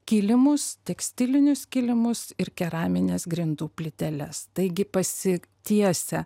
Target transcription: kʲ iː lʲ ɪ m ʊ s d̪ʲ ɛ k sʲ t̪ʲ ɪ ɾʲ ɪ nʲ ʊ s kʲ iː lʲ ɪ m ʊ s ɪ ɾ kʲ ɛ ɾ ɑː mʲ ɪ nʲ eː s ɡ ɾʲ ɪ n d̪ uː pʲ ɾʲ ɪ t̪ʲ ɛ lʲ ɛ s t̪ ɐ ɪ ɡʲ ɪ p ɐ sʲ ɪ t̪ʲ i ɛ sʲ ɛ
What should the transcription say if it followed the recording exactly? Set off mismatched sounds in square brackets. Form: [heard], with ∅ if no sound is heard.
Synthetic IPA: kʲ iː lʲ ɪ m ʊ s [t̪ʲ] ɛ k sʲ t̪ʲ ɪ [lʲ] ɪ nʲ ʊ s kʲ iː lʲ ɪ m ʊ s ɪ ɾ kʲ ɛ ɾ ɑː mʲ ɪ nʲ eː s ɡ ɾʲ ɪ n d̪ uː pʲ [lʲ] ɪ t̪ʲ ɛ lʲ ɛ s t̪ ɐ ɪ ɡʲ ɪ p ɐ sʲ ɪ t̪ʲ i ɛ sʲ ɛ